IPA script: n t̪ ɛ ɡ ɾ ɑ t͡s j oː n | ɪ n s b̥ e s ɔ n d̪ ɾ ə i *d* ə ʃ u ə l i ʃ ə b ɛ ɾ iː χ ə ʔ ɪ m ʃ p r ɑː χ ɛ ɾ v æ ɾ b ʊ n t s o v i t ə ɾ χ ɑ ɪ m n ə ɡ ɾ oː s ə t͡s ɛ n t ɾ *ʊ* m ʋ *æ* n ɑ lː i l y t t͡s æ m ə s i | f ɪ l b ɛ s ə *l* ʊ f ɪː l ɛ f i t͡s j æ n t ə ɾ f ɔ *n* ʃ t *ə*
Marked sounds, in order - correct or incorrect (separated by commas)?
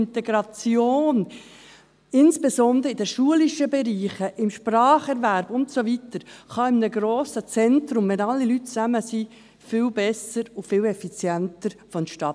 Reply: correct, correct, incorrect, incorrect, correct, incorrect